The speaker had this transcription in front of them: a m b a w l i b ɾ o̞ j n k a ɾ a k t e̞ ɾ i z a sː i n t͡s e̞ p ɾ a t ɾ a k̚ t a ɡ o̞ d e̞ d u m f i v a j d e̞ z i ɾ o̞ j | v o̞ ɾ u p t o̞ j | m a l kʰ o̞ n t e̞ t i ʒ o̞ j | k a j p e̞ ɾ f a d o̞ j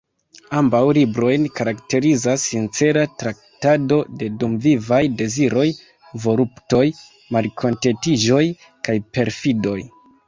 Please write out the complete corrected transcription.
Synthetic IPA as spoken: a m b a w l i b ɾ o̞ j n k a ɾ a k t e̞ ɾ i z a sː i n t͡s e̞ ɾ a t ɾ a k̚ t a d o̞ d e̞ d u m v i v a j d e̞ z i ɾ o̞ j | v o̞ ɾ u p t o̞ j | m a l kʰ o̞ n t e̞ t i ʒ o̞ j | k a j p e̞ ɾ f i d o̞ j